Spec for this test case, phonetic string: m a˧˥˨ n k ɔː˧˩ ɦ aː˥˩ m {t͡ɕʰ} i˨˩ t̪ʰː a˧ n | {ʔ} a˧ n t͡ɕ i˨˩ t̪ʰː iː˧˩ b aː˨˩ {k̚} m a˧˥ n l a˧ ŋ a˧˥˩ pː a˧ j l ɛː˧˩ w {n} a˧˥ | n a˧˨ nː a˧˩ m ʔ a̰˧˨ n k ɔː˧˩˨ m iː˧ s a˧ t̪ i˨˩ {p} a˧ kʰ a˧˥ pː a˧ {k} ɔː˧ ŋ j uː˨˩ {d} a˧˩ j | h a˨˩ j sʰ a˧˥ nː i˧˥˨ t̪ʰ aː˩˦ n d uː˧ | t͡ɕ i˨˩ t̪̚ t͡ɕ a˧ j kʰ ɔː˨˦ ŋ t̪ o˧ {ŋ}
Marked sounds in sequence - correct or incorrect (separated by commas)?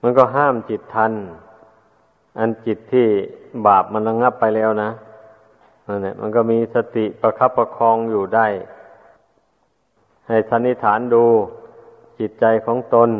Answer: incorrect, correct, incorrect, correct, correct, incorrect, correct, incorrect